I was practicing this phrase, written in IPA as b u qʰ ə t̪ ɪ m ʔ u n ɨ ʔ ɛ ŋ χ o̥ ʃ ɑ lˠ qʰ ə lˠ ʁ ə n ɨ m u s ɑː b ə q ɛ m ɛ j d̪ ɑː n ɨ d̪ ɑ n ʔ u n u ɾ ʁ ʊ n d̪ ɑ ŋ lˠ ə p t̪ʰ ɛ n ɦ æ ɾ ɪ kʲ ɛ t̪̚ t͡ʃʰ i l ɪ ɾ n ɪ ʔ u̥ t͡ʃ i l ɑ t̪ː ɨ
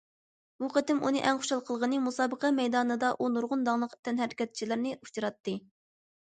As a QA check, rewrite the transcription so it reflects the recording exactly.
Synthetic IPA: b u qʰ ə t̪ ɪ m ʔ u n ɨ ʔ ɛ ŋ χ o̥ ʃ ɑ lˠ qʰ ə lˠ ʁ ə n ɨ m u s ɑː b ə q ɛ m ɛ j d̪ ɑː n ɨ d̪ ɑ ʔ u n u ɾ ʁ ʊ n d̪ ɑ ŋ lˠ ə q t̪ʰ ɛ n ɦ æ ɾ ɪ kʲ ɛ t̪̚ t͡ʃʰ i l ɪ ɾ n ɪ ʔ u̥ t͡ʃ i ɾ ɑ t̪ː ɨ